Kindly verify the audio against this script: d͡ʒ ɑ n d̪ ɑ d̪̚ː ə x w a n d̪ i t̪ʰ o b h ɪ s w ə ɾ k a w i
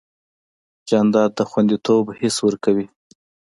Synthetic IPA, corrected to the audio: d͡ʒ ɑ n d̪ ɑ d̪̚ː ə x w a n d̪ i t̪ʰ o b h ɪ s w ə ɾ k a w i